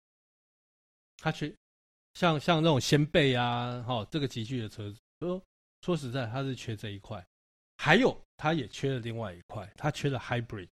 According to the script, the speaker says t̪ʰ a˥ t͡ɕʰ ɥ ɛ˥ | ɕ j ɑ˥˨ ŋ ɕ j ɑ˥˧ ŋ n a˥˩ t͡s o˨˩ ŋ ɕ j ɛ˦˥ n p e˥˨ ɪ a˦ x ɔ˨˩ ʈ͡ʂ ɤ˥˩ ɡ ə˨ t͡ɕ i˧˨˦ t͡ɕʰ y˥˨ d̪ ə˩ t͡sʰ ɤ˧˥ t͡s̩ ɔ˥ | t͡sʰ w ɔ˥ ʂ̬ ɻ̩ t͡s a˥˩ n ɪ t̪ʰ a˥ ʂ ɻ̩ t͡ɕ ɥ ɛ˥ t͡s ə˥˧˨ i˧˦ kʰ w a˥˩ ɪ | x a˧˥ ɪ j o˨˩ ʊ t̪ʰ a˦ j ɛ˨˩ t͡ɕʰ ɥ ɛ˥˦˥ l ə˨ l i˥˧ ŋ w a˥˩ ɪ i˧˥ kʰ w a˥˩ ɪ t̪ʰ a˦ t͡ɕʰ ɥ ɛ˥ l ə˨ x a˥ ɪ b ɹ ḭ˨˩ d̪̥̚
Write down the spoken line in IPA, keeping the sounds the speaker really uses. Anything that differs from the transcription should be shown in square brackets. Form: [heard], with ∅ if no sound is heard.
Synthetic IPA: t̪ʰ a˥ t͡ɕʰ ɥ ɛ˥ | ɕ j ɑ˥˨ ŋ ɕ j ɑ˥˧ ŋ n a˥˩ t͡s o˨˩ ŋ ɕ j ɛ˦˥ n p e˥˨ ɪ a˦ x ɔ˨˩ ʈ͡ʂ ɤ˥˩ ɡ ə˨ t͡ɕ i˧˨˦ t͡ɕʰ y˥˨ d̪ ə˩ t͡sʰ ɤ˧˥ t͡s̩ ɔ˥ | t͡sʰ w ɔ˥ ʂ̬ ɻ̩ t͡s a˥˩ [∅] ɪ t̪ʰ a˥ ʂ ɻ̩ [t͡ɕʰ] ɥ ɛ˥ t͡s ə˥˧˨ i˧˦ kʰ w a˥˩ ɪ | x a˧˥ ɪ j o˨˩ ʊ t̪ʰ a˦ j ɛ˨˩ t͡ɕʰ ɥ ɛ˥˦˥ l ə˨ l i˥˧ ŋ w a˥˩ ɪ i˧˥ kʰ w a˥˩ ɪ t̪ʰ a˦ t͡ɕʰ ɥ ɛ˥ l ə˨ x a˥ ɪ b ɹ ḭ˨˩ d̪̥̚